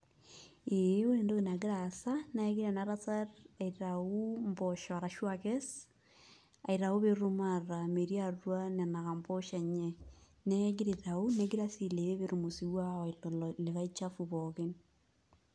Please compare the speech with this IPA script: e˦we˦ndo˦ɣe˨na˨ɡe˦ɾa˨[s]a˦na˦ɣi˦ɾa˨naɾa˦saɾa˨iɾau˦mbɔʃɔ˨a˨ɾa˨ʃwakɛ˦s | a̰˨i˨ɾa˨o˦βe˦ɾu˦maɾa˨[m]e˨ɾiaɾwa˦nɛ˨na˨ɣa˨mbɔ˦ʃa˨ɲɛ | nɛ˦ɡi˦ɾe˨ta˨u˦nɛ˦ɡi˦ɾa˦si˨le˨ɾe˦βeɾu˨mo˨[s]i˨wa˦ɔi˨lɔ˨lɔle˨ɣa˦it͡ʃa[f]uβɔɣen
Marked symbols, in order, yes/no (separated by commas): yes, yes, yes, yes